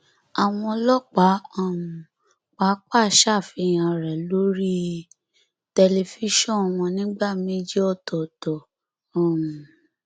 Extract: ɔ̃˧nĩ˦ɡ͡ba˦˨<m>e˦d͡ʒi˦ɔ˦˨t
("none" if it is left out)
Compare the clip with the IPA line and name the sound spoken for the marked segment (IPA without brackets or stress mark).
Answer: m